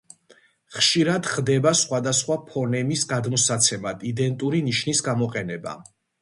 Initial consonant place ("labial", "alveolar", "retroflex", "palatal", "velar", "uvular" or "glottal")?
uvular